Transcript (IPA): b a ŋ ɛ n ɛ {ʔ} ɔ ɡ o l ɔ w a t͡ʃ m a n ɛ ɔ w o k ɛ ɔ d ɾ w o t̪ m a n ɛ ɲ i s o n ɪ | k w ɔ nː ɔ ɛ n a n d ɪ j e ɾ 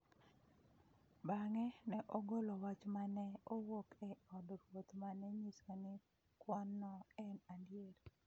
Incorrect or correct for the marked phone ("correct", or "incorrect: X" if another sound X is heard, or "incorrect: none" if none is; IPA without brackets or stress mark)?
correct